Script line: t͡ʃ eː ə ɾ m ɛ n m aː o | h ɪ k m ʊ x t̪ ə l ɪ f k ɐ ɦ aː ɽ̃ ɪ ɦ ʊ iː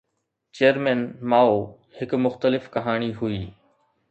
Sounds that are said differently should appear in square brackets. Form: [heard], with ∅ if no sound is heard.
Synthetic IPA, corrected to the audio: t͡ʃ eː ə ɾ m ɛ n m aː o | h ɪ k m ʊ x t̪ ə l ɪ f k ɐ ɦ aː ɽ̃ [i] ɦ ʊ iː